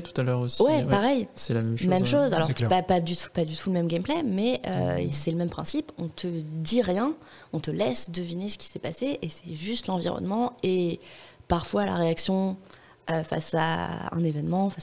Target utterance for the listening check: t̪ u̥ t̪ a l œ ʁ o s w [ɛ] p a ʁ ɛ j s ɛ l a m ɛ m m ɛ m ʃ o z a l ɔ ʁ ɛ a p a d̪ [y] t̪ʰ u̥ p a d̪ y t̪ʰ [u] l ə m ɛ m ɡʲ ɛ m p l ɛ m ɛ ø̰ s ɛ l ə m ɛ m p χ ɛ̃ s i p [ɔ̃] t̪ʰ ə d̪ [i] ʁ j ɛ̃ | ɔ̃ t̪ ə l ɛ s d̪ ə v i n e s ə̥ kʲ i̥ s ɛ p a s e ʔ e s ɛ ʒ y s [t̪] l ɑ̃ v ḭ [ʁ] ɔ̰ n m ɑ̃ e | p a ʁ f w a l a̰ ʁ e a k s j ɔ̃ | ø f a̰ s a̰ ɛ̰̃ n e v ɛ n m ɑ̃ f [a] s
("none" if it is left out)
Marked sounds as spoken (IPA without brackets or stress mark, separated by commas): ɛ, y, u, ɔ̃, i, t̪, ʁ, a